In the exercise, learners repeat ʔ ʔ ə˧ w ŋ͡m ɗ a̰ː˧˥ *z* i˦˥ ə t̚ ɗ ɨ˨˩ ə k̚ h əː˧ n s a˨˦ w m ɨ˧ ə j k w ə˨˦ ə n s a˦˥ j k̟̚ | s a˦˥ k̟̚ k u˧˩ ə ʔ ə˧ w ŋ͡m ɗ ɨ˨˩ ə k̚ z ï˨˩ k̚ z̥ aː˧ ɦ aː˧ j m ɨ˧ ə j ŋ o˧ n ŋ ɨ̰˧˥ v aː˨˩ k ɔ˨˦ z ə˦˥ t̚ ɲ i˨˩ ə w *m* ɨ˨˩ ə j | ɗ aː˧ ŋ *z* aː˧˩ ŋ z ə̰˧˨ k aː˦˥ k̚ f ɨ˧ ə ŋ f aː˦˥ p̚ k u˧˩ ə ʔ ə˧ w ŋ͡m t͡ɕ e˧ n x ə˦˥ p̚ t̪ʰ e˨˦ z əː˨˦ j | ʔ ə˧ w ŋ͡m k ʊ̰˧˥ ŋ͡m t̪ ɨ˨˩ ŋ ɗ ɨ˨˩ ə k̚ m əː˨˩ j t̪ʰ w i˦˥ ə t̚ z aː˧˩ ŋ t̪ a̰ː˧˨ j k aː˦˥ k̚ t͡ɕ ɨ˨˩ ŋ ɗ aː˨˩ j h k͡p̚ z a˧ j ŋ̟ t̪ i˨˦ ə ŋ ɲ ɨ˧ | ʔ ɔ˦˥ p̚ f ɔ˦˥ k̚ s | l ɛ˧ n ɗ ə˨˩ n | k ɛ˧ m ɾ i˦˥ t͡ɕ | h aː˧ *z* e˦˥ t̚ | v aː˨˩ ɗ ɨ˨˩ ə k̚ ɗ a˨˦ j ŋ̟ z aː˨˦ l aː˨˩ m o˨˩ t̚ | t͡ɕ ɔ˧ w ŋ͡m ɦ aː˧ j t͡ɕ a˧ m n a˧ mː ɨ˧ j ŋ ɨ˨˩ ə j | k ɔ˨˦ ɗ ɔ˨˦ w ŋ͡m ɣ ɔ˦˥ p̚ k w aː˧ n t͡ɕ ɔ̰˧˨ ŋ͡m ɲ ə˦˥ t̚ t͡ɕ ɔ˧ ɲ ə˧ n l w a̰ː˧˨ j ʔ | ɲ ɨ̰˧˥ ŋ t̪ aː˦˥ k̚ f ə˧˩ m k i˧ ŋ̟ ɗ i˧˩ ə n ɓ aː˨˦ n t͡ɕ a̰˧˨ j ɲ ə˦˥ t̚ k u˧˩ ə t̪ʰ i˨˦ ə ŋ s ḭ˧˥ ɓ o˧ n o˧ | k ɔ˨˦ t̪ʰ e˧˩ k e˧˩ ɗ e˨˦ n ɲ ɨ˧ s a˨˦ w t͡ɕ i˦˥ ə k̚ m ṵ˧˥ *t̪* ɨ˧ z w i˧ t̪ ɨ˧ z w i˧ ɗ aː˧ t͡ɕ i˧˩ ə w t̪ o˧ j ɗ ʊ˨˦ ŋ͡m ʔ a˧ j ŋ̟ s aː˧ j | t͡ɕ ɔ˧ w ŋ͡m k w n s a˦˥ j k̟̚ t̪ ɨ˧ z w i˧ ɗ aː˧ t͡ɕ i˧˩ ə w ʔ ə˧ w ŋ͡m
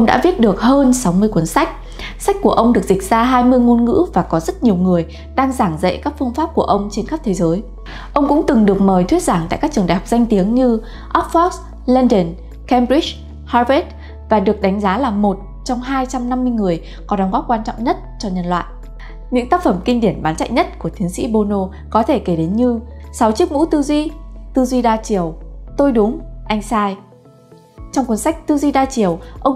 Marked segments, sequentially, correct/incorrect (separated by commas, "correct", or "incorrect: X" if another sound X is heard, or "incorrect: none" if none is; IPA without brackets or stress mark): incorrect: v, incorrect: ŋ, correct, incorrect: v, correct